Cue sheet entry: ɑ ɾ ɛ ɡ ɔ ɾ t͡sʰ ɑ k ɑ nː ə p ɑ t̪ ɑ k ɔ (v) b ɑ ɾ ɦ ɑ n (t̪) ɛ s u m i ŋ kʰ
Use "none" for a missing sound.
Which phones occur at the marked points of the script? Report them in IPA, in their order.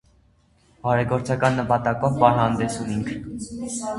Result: v, d̪

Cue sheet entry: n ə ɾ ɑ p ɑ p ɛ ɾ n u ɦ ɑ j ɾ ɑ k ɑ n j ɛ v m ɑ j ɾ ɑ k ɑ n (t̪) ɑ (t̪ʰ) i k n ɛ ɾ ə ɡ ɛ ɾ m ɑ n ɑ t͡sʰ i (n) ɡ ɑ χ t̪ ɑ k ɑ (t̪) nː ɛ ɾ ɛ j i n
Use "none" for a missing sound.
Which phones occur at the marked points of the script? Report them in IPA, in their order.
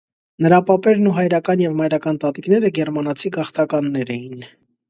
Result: t̪, t̪, none, none

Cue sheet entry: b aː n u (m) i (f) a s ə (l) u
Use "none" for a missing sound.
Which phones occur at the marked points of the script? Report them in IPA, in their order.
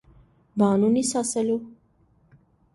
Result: n, s, l

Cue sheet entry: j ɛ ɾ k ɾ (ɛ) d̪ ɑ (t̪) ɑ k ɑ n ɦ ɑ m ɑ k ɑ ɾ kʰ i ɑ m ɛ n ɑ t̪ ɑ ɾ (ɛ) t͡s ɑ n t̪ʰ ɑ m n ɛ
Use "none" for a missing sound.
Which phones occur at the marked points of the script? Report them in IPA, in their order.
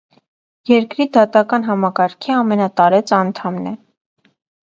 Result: i, t̪, ɛ

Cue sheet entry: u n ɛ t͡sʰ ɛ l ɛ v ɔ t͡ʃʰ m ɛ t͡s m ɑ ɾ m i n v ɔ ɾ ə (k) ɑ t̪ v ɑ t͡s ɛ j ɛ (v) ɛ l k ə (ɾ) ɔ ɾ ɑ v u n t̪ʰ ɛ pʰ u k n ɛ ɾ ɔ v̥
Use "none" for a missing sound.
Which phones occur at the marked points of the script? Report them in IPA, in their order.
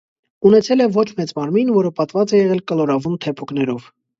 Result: p, ʁ, l

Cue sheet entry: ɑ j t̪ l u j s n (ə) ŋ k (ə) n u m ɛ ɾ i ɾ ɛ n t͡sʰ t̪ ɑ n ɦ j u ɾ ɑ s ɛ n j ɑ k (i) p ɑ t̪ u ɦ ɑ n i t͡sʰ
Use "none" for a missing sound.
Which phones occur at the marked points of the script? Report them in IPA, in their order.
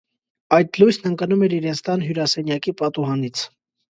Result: ə, ɑ, i

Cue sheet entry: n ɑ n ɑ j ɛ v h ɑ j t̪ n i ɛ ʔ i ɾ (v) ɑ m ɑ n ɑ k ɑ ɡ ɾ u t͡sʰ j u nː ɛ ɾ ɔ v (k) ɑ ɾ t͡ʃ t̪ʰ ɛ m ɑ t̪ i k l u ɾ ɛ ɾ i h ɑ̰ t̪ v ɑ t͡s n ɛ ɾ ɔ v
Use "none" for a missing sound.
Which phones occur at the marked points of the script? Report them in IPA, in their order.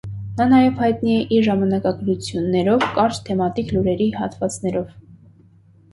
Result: ʒ, k

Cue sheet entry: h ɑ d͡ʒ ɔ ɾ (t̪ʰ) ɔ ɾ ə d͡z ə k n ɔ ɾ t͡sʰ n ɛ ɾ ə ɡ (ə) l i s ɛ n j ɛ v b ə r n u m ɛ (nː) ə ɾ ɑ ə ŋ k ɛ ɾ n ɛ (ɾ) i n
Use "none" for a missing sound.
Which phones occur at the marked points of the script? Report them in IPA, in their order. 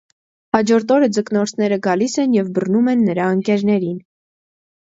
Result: t̪, ɑ, nː, ɾ

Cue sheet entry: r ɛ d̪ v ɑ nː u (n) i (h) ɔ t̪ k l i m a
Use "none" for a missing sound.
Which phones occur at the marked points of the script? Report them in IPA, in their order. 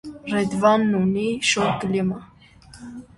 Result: n, ʃ

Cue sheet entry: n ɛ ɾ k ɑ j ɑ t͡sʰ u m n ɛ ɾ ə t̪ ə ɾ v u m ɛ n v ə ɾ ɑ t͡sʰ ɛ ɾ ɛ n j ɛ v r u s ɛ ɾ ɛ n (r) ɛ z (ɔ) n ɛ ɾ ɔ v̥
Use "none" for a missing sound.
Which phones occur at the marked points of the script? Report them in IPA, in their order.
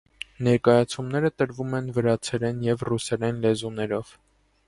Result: l, u

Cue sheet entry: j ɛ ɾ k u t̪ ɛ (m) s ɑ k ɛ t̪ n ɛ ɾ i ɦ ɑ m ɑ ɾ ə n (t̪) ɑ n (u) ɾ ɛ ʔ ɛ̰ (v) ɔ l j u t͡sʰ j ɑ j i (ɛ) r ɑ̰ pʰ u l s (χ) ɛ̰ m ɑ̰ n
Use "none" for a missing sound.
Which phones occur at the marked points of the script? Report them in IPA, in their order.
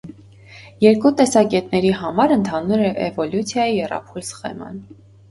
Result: none, t̪ʰ, u, v, ɛ, χ

